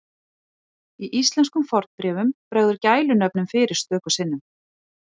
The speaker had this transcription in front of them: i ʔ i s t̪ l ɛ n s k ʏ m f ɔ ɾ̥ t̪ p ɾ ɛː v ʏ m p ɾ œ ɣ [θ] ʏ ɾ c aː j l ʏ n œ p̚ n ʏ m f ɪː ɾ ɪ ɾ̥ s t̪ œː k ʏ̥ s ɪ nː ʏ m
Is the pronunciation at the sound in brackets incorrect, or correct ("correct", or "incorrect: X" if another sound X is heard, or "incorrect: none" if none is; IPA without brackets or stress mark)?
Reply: incorrect: ð